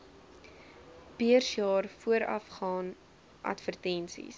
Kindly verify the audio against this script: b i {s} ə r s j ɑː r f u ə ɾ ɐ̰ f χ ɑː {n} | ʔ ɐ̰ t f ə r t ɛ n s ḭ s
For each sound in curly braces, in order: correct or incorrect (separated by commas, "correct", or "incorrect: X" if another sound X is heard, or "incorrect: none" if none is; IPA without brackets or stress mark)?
incorrect: none, correct